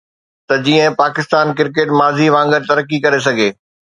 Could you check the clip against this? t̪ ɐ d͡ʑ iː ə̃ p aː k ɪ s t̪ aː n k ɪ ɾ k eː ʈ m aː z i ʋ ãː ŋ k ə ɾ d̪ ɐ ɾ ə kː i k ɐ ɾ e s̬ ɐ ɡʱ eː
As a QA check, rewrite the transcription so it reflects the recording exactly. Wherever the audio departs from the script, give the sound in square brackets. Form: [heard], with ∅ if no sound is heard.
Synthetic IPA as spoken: t̪ ɐ d͡ʑ iː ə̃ p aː k ɪ s t̪ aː n k ɪ ɾ k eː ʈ m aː z i ʋ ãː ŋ [ɡ] ə ɾ [t̪] ɐ ɾ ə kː i k ɐ ɾ e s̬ ɐ ɡʱ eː